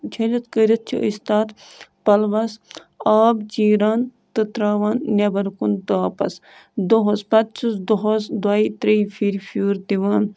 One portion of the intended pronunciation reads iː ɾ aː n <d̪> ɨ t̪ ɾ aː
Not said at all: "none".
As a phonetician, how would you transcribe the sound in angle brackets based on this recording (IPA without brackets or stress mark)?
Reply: t̪